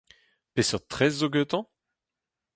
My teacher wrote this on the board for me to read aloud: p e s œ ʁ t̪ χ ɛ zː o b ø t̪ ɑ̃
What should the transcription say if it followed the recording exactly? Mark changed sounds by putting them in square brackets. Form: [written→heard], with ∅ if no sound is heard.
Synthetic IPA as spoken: p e s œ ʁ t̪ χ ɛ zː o [b→ɡ] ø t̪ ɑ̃